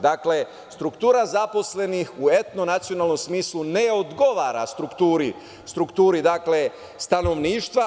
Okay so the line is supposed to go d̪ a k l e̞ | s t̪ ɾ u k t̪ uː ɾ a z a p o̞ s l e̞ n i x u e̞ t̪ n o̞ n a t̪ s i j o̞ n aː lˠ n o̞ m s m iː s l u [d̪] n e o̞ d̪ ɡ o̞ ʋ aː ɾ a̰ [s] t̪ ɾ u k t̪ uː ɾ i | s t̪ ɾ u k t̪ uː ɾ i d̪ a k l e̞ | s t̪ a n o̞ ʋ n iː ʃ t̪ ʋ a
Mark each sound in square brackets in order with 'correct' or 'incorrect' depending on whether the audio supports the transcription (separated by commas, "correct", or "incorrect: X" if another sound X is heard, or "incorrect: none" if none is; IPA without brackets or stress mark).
incorrect: none, correct